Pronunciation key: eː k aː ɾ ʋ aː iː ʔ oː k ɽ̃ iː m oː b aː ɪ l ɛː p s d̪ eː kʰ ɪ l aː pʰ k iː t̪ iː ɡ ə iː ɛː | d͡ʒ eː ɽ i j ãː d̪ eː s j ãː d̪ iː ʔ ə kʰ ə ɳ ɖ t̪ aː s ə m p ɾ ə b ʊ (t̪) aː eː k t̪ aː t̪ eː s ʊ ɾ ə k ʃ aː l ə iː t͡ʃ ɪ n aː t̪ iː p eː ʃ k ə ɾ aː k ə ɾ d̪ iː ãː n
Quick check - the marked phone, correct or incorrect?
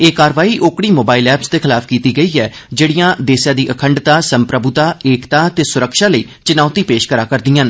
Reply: correct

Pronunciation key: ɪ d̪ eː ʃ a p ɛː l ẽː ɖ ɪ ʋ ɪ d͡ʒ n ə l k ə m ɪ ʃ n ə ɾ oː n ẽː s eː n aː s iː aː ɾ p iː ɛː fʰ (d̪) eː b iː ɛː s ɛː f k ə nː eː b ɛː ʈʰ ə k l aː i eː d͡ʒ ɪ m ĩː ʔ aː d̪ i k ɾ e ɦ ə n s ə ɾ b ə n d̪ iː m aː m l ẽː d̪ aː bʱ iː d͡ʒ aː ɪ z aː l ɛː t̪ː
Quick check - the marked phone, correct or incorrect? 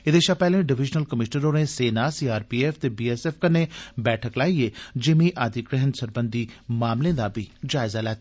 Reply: incorrect: t̪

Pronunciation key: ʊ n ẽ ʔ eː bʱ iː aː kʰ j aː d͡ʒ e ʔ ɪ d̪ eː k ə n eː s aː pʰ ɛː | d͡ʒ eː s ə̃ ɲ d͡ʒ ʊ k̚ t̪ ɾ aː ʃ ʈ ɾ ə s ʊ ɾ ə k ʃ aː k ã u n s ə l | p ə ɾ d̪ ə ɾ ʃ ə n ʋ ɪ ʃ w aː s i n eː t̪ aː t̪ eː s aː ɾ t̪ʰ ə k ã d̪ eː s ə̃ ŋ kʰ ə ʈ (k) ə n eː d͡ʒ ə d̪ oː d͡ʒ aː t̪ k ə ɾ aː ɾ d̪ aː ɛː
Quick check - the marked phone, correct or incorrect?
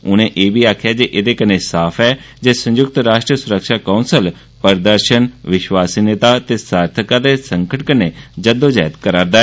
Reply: correct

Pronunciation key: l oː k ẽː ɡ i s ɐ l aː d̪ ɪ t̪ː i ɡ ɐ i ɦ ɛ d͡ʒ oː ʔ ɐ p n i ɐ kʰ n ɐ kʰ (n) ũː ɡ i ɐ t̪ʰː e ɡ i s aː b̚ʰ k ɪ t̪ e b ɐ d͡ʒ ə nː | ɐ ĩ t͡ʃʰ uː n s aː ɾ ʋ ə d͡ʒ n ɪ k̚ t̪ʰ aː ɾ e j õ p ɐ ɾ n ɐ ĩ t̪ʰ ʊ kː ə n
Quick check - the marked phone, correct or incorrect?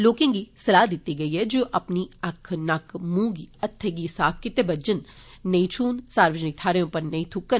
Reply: incorrect: m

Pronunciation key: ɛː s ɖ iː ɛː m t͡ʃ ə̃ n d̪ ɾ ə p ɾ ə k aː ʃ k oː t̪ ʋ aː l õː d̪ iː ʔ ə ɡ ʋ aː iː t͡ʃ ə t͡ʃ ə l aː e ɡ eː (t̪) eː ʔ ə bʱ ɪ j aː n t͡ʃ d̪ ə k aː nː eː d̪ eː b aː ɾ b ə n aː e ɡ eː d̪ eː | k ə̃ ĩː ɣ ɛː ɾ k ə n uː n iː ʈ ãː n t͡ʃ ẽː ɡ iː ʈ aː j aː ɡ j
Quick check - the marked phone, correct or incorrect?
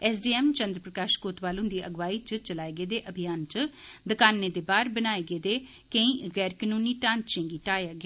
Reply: incorrect: d̪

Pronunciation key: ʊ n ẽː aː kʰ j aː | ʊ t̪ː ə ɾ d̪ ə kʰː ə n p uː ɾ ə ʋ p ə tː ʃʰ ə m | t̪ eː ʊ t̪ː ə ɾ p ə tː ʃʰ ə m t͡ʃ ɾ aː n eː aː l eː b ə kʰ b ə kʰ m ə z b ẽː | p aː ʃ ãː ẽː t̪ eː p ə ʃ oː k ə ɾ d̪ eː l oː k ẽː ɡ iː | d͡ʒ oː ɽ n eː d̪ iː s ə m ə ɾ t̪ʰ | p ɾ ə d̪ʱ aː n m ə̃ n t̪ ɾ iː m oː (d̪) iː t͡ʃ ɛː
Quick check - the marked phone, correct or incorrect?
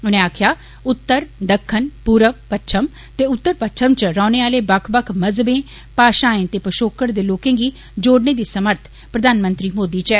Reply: correct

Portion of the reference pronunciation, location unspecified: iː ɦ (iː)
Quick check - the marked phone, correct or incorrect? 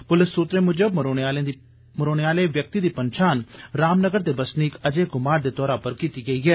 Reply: incorrect: ɛː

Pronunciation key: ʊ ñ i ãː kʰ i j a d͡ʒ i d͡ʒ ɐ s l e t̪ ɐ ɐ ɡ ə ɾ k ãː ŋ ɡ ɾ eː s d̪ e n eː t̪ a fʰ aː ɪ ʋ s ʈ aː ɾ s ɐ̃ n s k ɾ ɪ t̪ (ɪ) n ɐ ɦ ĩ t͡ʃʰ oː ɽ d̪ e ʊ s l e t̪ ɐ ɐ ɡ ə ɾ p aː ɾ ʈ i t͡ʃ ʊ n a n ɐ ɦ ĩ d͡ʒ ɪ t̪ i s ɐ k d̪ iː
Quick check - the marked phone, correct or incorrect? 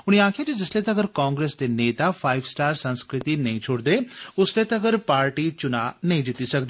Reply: incorrect: i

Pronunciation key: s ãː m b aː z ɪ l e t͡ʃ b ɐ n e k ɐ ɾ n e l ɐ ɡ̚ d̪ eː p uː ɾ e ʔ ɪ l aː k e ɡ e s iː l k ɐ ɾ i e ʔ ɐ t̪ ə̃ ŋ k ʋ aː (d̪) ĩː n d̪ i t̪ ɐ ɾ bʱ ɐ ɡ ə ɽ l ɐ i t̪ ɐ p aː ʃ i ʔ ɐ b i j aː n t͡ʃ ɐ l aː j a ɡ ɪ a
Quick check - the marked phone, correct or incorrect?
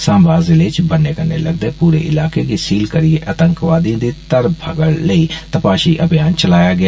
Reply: correct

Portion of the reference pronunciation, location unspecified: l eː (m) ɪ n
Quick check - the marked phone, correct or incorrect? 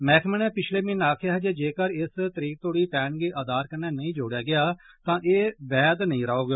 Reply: correct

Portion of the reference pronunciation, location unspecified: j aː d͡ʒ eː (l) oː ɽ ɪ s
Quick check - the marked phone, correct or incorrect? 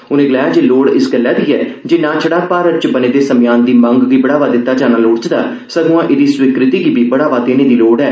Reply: correct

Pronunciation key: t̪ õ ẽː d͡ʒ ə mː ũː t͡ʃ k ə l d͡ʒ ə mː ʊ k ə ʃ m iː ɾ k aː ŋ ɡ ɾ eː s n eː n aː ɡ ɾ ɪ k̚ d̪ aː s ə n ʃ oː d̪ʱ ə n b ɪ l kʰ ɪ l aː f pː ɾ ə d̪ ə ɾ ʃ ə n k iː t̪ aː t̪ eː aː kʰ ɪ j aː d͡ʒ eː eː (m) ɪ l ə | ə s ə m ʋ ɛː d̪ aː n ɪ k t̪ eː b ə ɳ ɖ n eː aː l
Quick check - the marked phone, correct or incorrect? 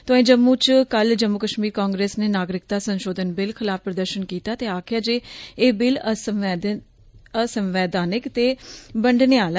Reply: incorrect: b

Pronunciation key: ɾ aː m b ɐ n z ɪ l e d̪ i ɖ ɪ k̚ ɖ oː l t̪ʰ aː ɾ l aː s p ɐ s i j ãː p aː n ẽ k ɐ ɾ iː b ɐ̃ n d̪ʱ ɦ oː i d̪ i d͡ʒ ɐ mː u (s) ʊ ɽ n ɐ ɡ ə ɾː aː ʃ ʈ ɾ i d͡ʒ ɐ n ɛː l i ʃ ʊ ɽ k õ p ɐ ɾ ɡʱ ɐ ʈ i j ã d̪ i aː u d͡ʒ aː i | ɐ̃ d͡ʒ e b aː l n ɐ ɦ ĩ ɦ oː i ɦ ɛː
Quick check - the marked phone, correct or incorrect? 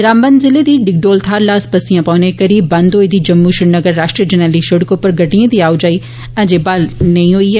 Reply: incorrect: ʃ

